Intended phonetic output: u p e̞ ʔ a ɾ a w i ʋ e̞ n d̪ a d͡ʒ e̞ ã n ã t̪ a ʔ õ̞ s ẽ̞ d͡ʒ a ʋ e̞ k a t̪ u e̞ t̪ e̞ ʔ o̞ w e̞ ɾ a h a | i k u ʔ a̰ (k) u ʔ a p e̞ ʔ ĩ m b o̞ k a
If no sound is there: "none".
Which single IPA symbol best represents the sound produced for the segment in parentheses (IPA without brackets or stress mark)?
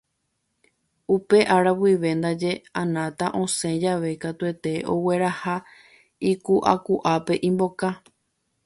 k